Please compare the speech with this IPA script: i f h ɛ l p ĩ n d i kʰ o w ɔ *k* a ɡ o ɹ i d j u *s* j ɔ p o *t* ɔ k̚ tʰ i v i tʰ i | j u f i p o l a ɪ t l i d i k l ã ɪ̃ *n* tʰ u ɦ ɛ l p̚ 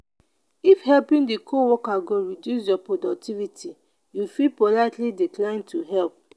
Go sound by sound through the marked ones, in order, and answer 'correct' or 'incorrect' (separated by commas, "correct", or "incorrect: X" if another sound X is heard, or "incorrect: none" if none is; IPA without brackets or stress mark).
correct, correct, incorrect: d, correct